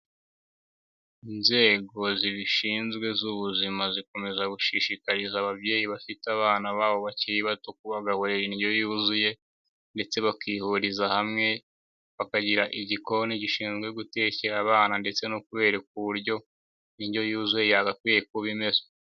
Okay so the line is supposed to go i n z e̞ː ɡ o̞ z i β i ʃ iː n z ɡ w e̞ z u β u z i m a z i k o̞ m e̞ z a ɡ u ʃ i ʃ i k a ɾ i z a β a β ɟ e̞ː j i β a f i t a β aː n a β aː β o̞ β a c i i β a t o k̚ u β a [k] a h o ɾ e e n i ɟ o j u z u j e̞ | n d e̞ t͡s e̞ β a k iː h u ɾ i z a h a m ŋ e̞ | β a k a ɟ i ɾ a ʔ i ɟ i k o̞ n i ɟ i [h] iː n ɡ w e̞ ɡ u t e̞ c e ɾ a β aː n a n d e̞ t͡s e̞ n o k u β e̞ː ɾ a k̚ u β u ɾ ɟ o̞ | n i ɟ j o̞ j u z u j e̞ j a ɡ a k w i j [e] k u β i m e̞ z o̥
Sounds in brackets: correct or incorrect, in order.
incorrect: ɡ, incorrect: ʃ, correct

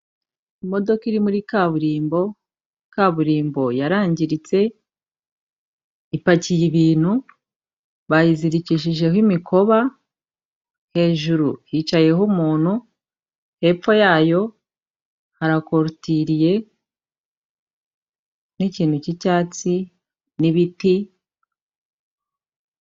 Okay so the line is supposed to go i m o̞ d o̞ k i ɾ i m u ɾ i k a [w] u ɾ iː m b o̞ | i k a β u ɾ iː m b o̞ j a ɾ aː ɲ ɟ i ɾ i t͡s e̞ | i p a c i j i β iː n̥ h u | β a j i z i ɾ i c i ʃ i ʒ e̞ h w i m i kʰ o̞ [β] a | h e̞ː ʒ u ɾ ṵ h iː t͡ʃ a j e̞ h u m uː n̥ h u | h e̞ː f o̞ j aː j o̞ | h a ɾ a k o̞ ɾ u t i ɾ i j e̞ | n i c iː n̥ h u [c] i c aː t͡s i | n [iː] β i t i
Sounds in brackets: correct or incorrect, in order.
incorrect: β, correct, correct, incorrect: i

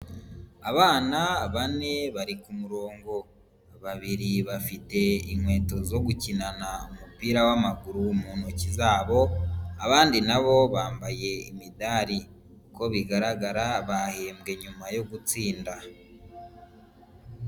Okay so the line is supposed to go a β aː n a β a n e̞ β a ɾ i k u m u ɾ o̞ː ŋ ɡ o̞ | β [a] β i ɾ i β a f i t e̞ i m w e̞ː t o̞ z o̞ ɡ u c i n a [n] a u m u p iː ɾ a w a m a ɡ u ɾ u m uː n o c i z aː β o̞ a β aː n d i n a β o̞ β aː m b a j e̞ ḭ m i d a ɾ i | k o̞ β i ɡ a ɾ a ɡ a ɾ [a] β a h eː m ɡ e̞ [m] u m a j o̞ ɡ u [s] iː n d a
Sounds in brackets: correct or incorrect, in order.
correct, correct, correct, incorrect: ɲ, incorrect: t͡s

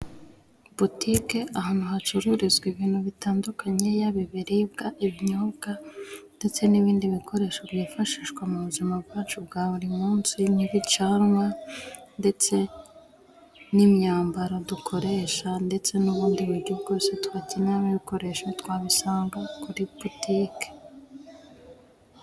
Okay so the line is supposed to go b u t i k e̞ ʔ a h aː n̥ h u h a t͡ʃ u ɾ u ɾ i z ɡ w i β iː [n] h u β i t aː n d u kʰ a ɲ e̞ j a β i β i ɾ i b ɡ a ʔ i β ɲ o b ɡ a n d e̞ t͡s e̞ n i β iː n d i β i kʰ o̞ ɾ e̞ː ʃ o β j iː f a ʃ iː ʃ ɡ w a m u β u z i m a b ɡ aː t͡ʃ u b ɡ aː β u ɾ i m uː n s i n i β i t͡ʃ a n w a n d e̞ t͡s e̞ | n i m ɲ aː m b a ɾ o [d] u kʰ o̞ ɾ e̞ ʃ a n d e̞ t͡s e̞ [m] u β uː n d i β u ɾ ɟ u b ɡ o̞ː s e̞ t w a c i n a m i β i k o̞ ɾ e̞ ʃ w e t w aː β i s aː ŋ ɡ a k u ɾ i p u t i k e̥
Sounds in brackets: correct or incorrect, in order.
correct, correct, incorrect: n

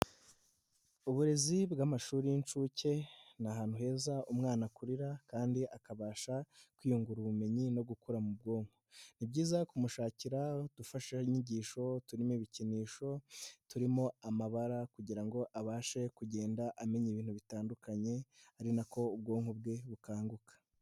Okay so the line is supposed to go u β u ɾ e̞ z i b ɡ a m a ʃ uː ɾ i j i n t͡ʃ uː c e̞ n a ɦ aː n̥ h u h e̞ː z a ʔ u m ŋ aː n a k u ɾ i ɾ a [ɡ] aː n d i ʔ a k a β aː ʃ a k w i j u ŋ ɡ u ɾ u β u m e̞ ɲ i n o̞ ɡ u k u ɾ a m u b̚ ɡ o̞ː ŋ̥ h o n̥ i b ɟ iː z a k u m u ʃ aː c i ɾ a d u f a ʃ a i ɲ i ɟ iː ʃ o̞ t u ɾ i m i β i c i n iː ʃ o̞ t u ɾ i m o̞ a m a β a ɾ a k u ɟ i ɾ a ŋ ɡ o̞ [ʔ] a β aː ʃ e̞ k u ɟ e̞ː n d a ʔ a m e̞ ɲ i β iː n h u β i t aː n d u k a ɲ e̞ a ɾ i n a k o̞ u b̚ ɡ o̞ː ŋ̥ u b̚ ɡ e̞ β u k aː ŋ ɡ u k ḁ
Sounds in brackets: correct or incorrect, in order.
incorrect: k, correct

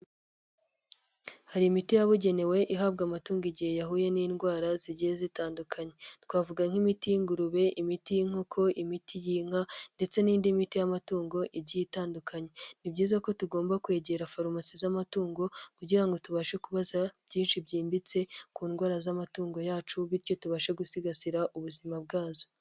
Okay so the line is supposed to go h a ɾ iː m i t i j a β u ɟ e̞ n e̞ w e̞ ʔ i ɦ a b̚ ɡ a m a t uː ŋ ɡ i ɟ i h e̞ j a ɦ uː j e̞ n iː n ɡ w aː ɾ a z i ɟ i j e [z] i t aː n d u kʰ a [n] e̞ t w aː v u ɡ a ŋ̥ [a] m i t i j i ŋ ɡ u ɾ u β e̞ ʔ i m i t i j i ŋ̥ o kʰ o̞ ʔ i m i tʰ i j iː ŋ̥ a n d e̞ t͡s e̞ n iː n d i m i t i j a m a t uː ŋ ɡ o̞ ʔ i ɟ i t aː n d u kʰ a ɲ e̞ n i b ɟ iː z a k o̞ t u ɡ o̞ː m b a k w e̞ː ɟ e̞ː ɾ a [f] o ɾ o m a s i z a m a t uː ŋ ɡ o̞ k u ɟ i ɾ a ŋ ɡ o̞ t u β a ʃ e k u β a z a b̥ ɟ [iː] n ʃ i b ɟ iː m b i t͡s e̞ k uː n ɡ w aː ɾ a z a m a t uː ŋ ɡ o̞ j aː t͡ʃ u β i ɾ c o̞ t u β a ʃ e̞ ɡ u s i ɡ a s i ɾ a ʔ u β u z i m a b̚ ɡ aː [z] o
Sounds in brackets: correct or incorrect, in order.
correct, incorrect: ɲ, incorrect: i, correct, correct, correct

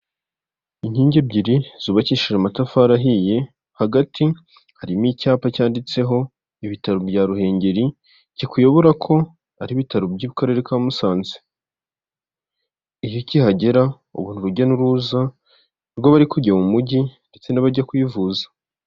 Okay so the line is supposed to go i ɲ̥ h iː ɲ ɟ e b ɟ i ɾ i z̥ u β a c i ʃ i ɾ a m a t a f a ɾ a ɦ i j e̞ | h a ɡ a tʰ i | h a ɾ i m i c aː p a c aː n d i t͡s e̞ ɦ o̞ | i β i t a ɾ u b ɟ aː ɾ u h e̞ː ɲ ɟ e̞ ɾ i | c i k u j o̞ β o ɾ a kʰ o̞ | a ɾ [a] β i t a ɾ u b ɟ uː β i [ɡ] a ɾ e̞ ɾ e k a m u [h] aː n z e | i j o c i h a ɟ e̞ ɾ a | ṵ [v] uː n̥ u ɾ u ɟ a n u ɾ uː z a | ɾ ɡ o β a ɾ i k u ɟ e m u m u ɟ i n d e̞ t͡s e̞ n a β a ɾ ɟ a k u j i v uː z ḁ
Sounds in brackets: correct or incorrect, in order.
incorrect: i, incorrect: k, incorrect: s, incorrect: β

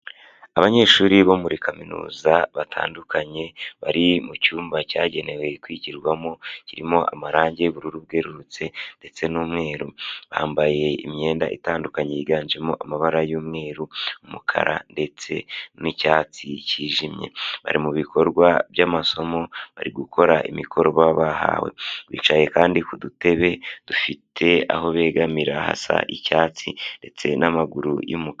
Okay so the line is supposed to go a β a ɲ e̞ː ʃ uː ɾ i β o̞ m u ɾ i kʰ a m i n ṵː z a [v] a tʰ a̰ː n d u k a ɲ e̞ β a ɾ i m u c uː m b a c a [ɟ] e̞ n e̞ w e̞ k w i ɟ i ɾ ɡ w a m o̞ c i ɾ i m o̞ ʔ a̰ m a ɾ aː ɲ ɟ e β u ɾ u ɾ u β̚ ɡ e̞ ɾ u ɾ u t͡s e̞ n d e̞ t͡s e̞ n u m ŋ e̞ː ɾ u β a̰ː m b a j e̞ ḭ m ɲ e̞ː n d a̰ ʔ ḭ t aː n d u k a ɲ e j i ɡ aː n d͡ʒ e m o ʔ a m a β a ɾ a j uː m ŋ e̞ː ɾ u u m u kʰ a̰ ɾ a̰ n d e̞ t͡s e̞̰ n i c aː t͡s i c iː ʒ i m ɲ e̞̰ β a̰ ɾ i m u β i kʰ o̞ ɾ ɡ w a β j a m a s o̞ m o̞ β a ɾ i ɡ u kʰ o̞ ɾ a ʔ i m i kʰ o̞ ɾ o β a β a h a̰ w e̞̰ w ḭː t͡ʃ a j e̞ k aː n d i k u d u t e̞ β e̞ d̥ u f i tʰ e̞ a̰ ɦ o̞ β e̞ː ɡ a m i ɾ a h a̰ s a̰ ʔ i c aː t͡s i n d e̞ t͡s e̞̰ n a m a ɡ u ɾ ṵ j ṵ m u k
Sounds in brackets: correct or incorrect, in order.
incorrect: β, correct

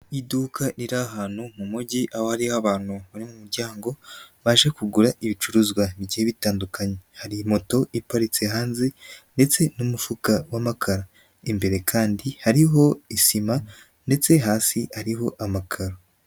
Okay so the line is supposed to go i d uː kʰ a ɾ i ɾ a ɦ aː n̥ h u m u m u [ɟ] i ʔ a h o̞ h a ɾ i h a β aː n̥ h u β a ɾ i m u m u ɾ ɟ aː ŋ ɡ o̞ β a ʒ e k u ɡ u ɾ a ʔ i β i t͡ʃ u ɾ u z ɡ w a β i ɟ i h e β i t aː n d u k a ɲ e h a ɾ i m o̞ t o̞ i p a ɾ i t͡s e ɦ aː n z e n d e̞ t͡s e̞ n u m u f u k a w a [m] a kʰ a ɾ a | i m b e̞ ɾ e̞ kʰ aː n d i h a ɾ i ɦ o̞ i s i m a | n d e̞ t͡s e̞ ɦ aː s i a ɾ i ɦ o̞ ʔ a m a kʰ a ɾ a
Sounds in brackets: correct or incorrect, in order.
correct, correct

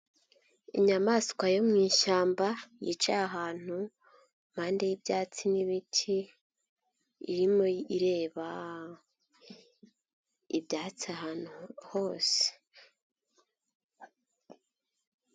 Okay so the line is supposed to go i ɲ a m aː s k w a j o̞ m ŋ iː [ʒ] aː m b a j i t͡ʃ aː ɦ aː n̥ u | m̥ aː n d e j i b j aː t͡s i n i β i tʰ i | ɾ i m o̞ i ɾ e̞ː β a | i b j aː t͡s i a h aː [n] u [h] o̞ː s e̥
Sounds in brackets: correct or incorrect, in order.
incorrect: ʃ, correct, correct

